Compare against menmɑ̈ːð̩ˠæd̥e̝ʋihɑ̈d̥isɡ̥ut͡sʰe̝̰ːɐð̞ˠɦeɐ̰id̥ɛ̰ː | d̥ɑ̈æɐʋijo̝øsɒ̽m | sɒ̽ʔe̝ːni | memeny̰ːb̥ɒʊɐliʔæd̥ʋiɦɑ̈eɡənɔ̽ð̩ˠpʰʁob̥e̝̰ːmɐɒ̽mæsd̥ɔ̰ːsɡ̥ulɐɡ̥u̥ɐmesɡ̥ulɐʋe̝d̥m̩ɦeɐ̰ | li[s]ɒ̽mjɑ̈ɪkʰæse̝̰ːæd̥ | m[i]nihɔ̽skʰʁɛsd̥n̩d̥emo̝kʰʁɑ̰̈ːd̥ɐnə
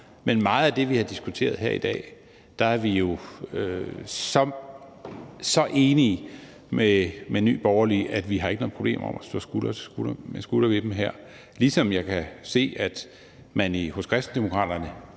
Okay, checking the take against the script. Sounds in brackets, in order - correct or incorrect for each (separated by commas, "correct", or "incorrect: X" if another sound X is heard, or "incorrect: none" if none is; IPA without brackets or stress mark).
correct, incorrect: æ